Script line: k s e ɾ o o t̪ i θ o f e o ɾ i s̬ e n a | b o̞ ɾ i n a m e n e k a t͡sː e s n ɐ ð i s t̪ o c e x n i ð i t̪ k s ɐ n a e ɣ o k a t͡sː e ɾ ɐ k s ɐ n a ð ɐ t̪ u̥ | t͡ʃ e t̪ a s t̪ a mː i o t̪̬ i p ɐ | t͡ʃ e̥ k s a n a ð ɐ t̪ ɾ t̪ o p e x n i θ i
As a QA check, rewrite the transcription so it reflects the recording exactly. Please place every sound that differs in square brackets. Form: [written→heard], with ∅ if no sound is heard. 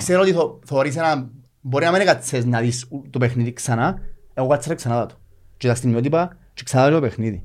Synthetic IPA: k s e ɾ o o t̪ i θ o [f→θ] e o ɾ i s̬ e n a | b o̞ ɾ i n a m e n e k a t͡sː e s n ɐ ð i s t̪ o [c→p] e x n i ð i [t̪→∅] k s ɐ n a e ɣ o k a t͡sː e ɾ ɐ k s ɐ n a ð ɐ t̪ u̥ | t͡ʃ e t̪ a s t̪ [a→i] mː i o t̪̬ i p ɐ | t͡ʃ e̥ k s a n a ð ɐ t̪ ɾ t̪ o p e x n i [θ→ð] i